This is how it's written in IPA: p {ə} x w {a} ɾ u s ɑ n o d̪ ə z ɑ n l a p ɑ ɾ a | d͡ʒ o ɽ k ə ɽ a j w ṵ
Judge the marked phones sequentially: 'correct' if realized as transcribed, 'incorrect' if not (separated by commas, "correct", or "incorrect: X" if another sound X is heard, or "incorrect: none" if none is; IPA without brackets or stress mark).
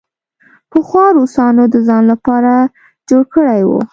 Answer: correct, incorrect: ɑ